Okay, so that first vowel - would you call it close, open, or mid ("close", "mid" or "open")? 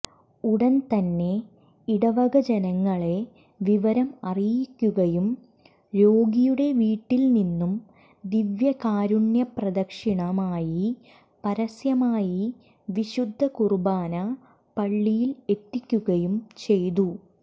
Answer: close